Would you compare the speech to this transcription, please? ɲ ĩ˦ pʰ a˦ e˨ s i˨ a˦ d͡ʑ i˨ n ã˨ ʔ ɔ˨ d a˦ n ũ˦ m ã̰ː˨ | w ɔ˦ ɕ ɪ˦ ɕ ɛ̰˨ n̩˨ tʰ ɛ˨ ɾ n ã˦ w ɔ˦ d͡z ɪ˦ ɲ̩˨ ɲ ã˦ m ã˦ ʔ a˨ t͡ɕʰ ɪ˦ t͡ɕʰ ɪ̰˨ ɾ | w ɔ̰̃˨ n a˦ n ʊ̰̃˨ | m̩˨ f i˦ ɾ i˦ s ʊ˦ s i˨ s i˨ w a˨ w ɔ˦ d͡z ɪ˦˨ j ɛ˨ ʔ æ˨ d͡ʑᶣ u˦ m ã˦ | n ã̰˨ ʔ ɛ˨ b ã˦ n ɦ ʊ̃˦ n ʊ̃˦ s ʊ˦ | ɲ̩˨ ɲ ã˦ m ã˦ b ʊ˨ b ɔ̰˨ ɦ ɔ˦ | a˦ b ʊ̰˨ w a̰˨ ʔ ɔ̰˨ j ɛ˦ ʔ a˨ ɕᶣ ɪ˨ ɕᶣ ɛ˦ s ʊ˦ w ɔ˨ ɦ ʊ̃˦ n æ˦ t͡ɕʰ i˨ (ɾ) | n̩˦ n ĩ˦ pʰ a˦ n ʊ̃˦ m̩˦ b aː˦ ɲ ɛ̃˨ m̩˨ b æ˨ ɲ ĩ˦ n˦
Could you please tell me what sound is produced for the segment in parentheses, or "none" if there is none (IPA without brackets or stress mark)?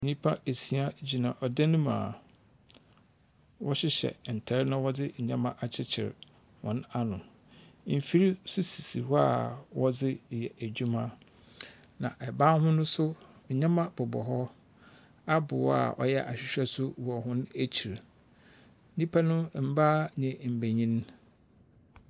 ɾ